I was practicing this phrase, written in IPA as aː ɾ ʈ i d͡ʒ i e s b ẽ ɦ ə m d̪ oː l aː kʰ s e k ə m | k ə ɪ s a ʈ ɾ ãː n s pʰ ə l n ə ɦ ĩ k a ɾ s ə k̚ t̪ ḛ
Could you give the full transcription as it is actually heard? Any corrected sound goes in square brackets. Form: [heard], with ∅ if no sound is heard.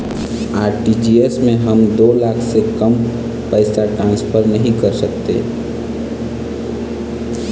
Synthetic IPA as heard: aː ɾ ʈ i d͡ʒ i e s [m] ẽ ɦ ə m d̪ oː l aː kʰ s e k ə m | [p] ə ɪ s a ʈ ɾ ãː n s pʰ ə [ɾ] n ə ɦ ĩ k [ə] ɾ s ə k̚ t̪ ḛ